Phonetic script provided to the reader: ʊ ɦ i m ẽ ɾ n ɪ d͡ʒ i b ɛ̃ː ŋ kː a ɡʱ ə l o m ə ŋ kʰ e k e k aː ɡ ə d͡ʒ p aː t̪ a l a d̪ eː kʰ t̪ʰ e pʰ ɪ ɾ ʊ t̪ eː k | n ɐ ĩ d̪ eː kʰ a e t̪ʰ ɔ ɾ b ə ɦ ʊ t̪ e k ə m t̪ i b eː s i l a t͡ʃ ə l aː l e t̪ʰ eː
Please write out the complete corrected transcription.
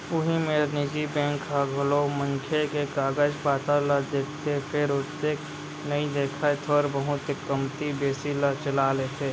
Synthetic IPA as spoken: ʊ ɦ i m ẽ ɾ n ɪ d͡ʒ i b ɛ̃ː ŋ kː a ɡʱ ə l o m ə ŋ kʰ e k e k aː ɡ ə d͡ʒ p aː t̪ a l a d̪ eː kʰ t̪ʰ e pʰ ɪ ɾ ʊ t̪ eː k | n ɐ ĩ d̪ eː kʰ a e t̪ʰ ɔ ɾ b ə ɦ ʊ t̪ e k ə m t̪ i b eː s i l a t͡ʃ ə l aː l e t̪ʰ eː

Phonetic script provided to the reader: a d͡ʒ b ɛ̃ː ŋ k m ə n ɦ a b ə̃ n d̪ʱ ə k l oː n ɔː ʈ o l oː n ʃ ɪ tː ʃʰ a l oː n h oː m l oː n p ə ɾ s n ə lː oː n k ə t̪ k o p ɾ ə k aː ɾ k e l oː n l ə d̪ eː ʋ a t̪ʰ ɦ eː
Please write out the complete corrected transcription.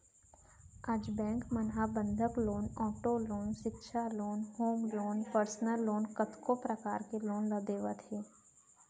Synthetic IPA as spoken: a d͡ʒ b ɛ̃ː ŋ k m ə n ɦ a b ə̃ n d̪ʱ ə k l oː n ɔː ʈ o l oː n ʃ ɪ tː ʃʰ a l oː n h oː m l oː n p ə ɾ s n ə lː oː n k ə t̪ k o p ɾ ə k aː ɾ k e l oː n l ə d̪ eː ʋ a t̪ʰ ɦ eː

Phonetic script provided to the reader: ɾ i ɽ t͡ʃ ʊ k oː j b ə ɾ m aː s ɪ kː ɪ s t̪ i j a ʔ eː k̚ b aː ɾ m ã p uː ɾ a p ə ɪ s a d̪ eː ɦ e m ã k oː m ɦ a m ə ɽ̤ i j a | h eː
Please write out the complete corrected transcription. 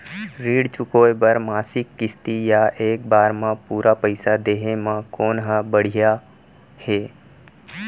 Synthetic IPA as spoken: ɾ iː ɽ t͡ʃ ʊ k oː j b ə ɾ m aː s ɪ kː ɪ s t̪ i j a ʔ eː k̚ b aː ɾ m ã p uː ɾ a p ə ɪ s a d̪ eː ɦ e m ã k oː n ɦ a b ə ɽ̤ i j a | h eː

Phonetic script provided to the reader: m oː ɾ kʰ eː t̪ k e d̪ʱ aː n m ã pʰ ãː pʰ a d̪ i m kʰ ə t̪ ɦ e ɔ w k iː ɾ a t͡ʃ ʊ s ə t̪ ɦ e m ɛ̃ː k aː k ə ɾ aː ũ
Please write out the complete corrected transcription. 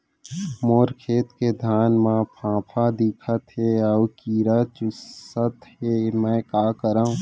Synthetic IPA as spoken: m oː ɾ kʰ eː t̪ k e d̪ʱ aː n m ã pʰ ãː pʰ a d̪ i kʰ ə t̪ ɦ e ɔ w k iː ɾ a t͡ʃ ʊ s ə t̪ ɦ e m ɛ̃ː k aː k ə ɾ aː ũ

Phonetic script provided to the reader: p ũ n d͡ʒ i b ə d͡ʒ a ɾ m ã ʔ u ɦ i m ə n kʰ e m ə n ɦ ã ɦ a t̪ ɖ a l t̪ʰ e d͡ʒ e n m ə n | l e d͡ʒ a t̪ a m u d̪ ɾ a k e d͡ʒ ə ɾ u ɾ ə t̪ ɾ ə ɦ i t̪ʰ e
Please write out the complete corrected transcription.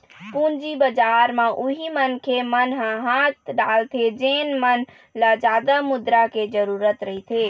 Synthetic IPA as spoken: p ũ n d͡ʒ i b ə d͡ʒ a ɾ m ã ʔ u ɦ i m ə n kʰ e m ə n ɦ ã ɦ a t̪ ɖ a l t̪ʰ e d͡ʒ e n m ə n | l a d͡ʒ a d̪ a m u d̪ ɾ a k e d͡ʒ ə ɾ u ɾ ə t̪ ɾ ə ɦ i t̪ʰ e

